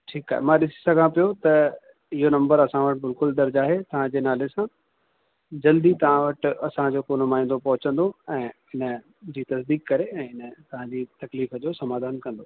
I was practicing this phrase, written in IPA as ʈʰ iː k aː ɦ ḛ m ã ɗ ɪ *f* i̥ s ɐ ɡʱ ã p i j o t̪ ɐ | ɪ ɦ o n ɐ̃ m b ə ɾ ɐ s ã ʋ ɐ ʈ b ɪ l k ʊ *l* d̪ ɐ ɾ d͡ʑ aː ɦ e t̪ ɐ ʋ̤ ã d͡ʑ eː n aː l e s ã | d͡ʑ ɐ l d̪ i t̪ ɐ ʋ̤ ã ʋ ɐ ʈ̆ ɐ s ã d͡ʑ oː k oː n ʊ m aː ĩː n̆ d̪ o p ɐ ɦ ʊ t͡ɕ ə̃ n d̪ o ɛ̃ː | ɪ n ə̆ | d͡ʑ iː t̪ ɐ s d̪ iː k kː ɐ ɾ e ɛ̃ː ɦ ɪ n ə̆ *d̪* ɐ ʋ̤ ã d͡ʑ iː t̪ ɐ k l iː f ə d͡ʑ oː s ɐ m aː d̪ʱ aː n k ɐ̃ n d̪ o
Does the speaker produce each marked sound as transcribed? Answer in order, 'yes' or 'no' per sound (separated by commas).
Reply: no, yes, no